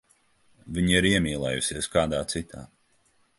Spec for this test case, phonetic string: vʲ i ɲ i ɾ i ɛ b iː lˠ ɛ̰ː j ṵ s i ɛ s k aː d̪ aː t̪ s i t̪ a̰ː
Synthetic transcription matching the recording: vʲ i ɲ i ɾ i ɛ m iː lˠ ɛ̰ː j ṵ s i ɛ s k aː d̪ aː t̪ s i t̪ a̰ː